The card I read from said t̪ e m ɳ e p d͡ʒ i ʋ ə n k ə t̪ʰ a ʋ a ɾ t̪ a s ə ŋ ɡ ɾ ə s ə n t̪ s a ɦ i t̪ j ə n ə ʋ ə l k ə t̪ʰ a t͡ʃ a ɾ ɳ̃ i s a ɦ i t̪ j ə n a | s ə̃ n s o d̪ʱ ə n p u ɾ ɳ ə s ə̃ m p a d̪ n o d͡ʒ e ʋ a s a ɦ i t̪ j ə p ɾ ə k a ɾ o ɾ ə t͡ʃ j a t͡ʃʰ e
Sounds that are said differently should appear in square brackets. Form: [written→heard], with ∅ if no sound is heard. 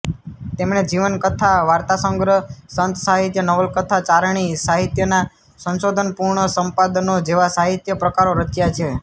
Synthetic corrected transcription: t̪ e m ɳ e [p→∅] d͡ʒ i ʋ ə n k ə t̪ʰ a ʋ a ɾ t̪ a s ə ŋ ɡ ɾ ə s ə n t̪ s a ɦ i t̪ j ə n ə ʋ ə l k ə t̪ʰ a t͡ʃ a ɾ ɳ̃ i s a ɦ i t̪ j ə n a | s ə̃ n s o d̪ʱ ə n p u ɾ ɳ ə s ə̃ m p a d̪ n o d͡ʒ e ʋ a s a ɦ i t̪ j ə p ɾ ə k a ɾ o ɾ ə t͡ʃ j a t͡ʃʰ e